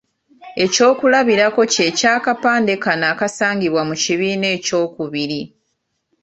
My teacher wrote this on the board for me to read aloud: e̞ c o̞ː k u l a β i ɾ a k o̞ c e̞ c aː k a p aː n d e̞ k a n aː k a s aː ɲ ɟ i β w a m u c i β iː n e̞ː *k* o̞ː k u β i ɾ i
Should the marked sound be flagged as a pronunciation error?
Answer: yes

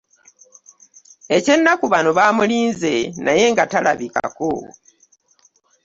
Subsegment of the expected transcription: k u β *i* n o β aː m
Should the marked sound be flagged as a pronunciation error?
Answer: yes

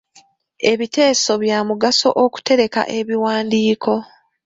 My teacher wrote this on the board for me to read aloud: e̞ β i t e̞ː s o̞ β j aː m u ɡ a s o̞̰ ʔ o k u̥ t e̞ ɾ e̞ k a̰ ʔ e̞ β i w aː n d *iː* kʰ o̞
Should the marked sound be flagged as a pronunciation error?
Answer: no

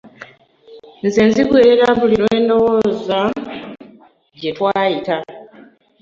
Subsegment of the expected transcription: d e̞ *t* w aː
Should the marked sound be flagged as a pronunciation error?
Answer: no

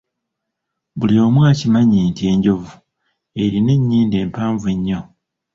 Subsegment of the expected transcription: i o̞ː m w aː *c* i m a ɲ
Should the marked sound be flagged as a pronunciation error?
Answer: no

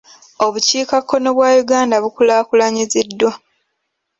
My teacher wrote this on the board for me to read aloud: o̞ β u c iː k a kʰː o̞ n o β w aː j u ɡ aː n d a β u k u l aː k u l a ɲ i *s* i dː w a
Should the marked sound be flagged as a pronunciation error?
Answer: yes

